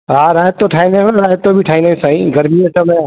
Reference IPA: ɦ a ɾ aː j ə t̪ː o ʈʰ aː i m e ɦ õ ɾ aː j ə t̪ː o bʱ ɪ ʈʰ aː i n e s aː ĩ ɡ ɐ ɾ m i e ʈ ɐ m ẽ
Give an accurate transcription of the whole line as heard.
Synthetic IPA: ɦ a ɾ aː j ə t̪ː o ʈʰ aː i n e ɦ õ ɾ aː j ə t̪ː o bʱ i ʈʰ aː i n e s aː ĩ ɡ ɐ ɾ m i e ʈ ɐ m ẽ